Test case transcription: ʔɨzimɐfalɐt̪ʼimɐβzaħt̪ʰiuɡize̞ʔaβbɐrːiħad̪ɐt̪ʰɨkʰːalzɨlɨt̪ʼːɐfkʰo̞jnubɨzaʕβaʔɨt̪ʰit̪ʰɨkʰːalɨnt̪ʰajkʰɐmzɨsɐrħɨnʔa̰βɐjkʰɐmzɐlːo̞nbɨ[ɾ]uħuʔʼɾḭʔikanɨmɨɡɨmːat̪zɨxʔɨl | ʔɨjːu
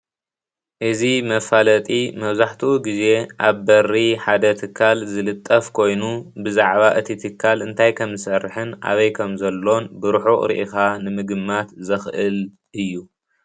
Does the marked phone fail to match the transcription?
no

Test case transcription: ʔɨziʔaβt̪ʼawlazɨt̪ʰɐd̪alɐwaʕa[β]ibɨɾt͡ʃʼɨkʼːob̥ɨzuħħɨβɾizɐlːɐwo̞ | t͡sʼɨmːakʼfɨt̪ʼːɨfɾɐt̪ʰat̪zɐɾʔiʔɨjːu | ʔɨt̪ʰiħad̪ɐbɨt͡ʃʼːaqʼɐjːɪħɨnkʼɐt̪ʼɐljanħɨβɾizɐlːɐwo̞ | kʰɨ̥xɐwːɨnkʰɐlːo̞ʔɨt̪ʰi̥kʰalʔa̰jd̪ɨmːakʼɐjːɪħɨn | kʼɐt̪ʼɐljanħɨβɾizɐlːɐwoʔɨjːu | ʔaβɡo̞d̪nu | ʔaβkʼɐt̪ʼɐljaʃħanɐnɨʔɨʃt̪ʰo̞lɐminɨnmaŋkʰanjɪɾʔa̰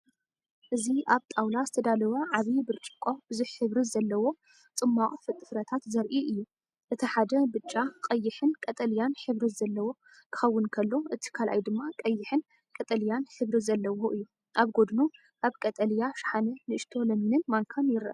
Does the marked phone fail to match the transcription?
no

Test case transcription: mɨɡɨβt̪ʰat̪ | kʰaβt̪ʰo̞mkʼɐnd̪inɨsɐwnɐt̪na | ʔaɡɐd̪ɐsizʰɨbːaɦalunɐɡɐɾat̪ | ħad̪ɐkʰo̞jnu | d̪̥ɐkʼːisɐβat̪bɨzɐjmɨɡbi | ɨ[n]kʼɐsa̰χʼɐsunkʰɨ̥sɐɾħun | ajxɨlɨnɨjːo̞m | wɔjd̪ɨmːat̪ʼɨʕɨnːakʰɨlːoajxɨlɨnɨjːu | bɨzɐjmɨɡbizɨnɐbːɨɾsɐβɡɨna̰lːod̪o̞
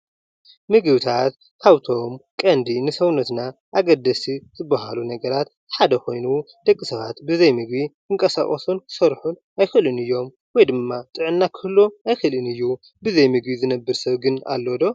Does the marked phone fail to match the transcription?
yes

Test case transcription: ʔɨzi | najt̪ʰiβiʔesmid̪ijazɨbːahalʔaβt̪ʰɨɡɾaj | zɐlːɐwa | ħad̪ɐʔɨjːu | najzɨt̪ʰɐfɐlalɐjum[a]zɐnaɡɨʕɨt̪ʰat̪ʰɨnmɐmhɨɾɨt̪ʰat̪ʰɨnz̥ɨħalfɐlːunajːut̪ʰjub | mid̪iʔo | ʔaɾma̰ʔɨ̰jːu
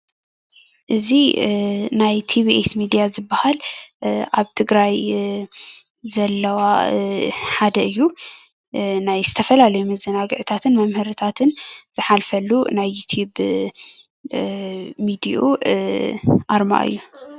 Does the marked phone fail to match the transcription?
yes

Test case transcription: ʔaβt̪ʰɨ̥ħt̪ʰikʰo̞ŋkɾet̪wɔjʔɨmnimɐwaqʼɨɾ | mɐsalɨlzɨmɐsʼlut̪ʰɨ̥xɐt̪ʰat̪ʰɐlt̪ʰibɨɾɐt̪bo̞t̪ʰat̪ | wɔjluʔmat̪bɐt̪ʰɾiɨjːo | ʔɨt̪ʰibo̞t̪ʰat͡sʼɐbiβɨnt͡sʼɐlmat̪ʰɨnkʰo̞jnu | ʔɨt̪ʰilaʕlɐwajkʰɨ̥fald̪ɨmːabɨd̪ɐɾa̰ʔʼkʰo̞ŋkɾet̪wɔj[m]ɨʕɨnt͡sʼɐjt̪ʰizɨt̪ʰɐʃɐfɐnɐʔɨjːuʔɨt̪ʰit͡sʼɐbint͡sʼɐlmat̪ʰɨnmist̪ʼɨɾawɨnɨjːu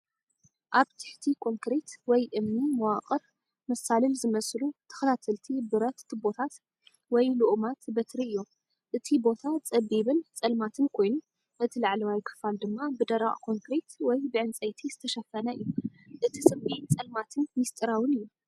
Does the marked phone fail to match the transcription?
yes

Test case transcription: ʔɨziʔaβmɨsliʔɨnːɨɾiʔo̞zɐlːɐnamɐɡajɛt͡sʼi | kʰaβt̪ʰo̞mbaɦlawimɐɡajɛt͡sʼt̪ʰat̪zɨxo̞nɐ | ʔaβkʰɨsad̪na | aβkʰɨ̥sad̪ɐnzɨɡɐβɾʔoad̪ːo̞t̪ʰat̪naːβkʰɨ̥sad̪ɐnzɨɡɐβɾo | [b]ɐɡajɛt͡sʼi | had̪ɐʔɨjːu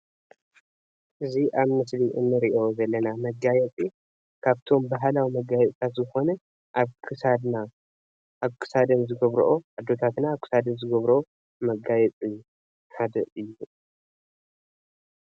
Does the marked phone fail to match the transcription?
yes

